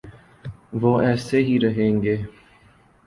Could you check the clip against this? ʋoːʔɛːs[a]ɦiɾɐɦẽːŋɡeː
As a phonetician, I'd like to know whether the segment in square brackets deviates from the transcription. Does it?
yes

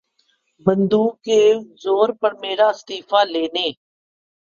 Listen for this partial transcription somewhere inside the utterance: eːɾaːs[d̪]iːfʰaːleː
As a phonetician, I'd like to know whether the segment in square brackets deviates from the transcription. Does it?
yes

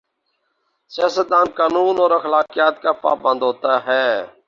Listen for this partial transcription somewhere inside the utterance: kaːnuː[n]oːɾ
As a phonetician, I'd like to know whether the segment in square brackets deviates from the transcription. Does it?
no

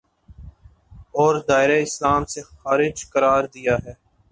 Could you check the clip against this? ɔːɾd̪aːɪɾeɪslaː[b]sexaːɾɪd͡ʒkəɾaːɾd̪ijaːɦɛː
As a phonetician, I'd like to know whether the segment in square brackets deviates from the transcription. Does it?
yes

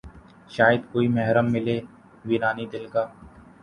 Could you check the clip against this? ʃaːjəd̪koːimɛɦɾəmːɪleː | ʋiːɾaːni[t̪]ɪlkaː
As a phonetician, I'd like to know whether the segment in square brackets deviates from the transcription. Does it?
yes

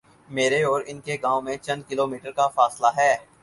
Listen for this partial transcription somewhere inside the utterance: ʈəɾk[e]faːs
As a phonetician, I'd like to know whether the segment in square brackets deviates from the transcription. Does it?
yes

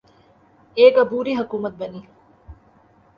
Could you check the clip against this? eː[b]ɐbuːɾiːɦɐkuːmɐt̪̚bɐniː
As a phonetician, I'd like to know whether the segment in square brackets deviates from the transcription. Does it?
yes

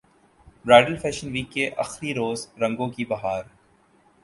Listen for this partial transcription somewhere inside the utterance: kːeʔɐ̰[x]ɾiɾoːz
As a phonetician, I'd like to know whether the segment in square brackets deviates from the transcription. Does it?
no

